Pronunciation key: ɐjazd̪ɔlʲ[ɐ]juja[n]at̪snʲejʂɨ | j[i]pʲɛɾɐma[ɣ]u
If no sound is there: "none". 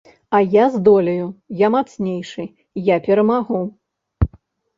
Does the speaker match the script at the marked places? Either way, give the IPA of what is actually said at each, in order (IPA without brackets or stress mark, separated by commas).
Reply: ɐ, m, a, ɣ